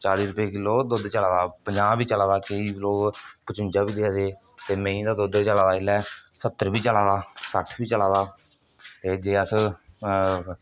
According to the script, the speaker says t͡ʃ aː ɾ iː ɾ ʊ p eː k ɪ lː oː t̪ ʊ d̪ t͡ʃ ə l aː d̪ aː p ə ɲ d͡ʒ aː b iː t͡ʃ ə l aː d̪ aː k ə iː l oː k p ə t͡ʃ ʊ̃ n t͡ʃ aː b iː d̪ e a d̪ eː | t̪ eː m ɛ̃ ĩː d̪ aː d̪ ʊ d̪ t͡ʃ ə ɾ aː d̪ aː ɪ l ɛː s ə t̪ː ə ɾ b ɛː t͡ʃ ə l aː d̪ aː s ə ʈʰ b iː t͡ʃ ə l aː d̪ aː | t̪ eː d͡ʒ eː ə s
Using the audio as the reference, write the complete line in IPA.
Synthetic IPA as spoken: t͡ʃ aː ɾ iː ɾ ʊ p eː k ɪ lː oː d̪ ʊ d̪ t͡ʃ ə l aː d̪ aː p ə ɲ d͡ʒ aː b iː t͡ʃ ə l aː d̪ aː k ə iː l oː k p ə t͡ʃ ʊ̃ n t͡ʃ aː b iː d̪ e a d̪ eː | t̪ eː m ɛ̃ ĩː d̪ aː d̪ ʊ d̪ t͡ʃ ə l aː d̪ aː ɪ l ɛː s ə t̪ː ə ɾ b iː t͡ʃ ə l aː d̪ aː s ə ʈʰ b iː t͡ʃ ə l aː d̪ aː | t̪ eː d͡ʒ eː ə s